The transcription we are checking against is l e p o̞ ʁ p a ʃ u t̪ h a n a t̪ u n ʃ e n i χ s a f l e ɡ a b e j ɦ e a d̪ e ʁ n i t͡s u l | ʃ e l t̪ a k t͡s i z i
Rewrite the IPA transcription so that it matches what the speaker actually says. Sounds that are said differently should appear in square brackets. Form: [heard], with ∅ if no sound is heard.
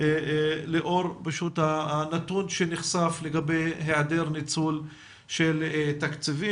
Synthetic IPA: l e [ʔ] o̞ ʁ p a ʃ u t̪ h a n a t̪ u n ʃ e n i χ s a f l e ɡ a b e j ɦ e a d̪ e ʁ n i t͡s u l | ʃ e l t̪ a k t͡s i [v] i

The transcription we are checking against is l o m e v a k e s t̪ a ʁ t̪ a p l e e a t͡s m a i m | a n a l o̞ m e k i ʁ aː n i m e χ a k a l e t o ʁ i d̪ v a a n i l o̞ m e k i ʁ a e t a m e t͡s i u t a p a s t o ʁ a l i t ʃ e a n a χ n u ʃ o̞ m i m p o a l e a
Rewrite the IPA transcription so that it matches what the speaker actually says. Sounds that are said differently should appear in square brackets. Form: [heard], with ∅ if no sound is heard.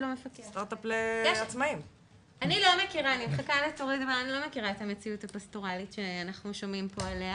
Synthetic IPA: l o m e [f] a k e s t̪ a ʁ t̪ a p l e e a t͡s m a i m | a n [i] l o̞ m e k i ʁ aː n i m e χ a k a l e t o ʁ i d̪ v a a n i l o̞ m e k i ʁ a e t a m e t͡s i u t a p a s t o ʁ a l i t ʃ e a n a χ n u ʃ o̞ m i m p o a l e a

